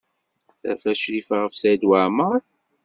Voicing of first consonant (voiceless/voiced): voiceless